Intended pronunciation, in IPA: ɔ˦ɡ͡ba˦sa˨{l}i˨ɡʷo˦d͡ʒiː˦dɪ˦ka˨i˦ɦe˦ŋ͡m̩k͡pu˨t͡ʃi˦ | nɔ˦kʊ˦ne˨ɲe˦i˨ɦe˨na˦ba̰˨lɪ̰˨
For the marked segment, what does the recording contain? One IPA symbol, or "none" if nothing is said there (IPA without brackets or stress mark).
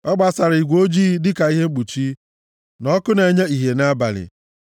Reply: ɾ